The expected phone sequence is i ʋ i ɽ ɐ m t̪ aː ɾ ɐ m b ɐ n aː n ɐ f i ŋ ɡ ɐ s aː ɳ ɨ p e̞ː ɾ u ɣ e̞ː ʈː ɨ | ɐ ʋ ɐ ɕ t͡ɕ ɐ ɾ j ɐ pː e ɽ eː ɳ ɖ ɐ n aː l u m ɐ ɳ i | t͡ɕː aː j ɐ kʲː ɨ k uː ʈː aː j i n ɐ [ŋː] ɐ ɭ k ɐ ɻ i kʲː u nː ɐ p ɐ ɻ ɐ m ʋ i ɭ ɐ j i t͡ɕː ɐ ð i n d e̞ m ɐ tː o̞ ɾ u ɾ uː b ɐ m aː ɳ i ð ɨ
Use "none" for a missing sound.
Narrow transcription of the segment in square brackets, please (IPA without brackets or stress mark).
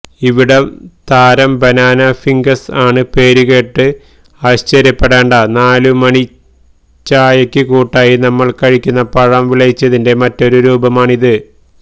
mː